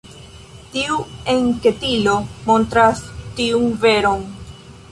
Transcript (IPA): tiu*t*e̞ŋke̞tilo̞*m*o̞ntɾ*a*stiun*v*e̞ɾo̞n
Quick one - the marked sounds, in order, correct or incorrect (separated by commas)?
incorrect, correct, correct, correct